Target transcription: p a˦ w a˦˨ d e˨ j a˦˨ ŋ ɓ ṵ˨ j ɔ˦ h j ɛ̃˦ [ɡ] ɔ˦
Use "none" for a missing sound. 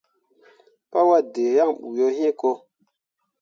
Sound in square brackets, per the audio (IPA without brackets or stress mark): k